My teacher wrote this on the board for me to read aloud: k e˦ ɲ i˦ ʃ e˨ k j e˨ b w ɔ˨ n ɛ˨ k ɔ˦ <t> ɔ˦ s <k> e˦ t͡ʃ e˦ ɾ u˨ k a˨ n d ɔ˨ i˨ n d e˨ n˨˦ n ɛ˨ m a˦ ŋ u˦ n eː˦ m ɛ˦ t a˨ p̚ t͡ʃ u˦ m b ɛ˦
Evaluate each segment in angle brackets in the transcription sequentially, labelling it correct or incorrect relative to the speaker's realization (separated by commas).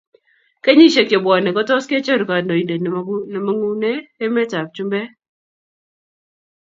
correct, correct